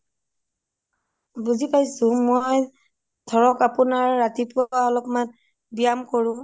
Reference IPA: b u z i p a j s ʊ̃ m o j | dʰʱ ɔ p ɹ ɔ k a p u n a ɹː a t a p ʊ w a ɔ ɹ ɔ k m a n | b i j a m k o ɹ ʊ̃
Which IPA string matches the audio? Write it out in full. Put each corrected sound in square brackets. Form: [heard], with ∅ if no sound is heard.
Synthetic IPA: b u z i p a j s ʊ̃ m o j | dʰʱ ɔ [∅] ɹ ɔ k a p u n a ɹː a t [i] p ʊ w a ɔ [l] ɔ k m a n | b i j a m k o ɹ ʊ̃